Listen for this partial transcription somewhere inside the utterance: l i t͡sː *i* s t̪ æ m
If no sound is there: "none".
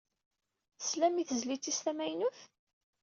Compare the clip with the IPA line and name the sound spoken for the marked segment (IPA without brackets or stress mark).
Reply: i